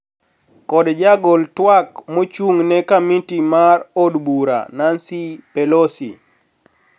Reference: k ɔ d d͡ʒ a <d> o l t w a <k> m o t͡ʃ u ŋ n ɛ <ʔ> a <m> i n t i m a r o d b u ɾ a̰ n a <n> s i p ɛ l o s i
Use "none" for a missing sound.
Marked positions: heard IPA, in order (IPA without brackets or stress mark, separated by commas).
ɡ, k, k, m, n